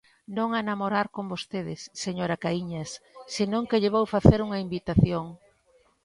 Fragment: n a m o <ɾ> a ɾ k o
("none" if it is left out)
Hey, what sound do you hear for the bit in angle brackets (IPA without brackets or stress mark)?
ɾ